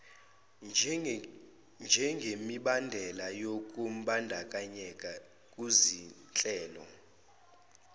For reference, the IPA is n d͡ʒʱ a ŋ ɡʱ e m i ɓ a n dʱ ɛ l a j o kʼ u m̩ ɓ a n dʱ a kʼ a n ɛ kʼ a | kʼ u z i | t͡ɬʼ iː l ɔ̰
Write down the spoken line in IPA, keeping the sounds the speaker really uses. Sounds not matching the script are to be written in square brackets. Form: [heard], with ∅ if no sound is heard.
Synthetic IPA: n d͡ʒʱ [ɛ] ŋ ɡʱ e m i ɓ a n dʱ ɛ l a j o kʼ u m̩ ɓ a n dʱ a kʼ a [ɲ] ɛ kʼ a | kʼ u z i | t͡ɬʼ [ɛː] l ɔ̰